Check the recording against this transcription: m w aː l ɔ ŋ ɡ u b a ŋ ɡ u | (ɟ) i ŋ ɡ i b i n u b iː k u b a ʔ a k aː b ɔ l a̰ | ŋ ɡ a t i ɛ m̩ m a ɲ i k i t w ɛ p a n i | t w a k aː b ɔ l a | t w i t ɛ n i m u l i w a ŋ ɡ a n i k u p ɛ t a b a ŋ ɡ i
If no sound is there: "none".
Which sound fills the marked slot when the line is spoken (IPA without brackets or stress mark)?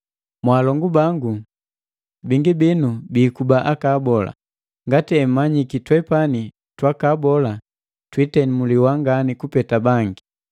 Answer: b